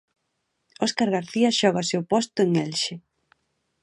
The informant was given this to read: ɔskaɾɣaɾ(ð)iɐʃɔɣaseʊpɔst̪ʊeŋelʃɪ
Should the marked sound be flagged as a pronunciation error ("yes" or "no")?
yes